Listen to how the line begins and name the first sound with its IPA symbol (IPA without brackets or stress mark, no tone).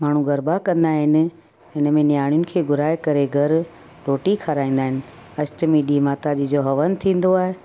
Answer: m